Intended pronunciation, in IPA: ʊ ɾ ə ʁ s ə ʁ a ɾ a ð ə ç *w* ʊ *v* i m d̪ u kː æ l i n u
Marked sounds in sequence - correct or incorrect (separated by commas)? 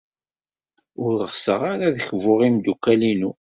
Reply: incorrect, incorrect